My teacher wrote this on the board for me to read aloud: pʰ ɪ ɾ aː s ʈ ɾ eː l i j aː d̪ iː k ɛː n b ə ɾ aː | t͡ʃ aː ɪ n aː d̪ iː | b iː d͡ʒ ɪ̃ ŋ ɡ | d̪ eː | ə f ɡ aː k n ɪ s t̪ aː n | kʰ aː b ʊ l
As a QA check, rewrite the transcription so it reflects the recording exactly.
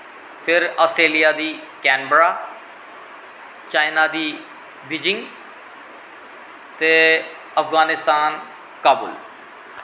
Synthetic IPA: pʰ ɪ ɾ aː s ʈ ɾ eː l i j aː d̪ iː k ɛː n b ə ɾ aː | t͡ʃ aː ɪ n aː d̪ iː | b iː d͡ʒ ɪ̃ ŋ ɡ | t̪ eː | ə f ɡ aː n ɪ s t̪ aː n | k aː b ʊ l